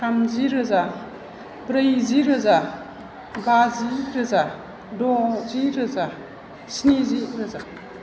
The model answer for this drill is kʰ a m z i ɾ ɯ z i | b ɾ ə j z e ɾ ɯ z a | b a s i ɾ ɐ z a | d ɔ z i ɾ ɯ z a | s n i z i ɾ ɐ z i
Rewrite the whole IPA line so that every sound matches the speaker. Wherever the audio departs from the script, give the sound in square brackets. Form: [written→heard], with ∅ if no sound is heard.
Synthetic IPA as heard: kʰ a m z i ɾ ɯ z [i→a] | b ɾ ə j z [e→i] ɾ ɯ z a | b a [s→z] i ɾ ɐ z a | d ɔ z i ɾ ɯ z a | s n i z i ɾ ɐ z [i→a]